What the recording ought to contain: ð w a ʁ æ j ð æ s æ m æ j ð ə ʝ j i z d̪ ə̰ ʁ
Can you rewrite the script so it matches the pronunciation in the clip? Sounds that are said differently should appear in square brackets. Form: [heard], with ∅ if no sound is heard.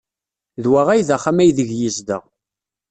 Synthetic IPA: ð w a ʁ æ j ð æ [χ] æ m æ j ð ə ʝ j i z d̪ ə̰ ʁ